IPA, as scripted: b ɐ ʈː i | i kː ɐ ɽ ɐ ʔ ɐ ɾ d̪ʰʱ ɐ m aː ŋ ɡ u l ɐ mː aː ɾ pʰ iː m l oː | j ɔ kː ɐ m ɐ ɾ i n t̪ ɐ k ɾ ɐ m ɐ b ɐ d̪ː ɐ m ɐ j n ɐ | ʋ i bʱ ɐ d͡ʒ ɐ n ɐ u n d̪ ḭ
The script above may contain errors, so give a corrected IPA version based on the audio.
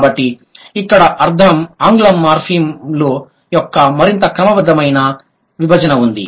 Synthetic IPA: b ɐ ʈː i | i kː ɐ ɽ ɐ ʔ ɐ ɾ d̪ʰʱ ɐ m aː ŋ ɡ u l ɐ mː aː ɾ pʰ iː m l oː | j ɔ kː ɐ m ɐ ɾ i n t̪ ɐ k ɾ ɐ m ɐ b ɐ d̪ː ɐ m ɐ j n ɐ | ʋ i bʱ ɐ d͡ʒ ɐ n ɐ u n d̪ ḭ